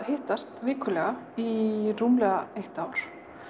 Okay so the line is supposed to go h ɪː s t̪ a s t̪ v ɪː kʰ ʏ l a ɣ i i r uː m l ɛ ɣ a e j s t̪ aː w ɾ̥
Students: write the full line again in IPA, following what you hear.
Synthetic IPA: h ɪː h t̪ a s t̪ v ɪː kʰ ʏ l ɛ ɣ a i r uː m l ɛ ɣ a e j h t̪ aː w ɾ̥